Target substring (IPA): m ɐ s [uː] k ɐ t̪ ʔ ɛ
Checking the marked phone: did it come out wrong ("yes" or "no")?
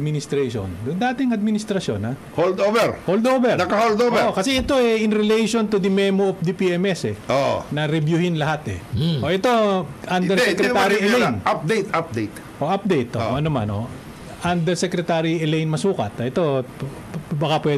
no